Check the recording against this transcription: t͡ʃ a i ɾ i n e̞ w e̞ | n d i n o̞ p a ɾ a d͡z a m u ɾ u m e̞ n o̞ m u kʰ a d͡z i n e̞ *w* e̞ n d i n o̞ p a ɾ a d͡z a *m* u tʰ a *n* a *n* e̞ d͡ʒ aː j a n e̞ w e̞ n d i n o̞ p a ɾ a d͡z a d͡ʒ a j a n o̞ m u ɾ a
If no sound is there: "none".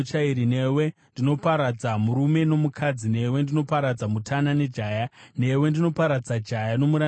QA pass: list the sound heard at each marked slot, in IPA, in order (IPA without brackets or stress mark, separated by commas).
w, m, n, n